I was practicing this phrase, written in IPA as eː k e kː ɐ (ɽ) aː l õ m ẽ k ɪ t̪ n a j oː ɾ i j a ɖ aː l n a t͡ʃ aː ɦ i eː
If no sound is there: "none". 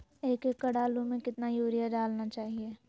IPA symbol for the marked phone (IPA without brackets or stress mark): ɽ